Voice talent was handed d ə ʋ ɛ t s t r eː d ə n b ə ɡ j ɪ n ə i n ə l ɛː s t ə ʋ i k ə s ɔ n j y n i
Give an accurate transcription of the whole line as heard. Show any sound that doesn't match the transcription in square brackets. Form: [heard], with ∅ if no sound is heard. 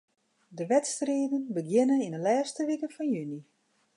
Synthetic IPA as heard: d ə ʋ ɛ t s t r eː d ə n b ə ɡ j ɪ n ə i n ə l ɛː s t ə ʋ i k ə [f] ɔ n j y n i